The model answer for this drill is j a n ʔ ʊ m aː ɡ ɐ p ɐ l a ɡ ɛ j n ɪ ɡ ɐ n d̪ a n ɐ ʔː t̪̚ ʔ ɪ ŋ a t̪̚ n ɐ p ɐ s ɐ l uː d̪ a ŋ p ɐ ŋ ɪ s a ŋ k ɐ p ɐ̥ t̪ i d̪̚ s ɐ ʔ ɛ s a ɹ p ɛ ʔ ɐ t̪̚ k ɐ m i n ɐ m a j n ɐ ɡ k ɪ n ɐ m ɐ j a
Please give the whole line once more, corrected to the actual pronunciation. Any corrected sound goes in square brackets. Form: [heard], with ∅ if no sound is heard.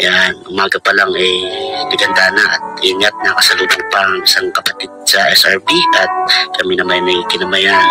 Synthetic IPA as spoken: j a n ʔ ʊ m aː ɡ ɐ p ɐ l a [ŋ] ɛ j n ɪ ɡ ɐ n d̪ a n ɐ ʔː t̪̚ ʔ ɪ ŋ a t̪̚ n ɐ [k] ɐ s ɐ l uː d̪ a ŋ p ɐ ŋ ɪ s a ŋ k ɐ p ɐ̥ t̪ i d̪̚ s ɐ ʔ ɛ s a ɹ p [i] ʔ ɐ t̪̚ k ɐ m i n ɐ m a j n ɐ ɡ k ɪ n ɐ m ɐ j a